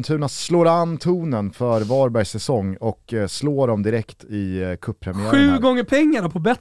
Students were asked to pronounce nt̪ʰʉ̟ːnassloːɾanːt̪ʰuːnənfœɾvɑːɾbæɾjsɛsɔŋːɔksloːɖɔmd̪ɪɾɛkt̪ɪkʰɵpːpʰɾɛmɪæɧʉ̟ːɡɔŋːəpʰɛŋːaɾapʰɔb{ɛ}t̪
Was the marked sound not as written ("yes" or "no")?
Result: no